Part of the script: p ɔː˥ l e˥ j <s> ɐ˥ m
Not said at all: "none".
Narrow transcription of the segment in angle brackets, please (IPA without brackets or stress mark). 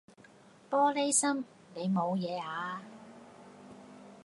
s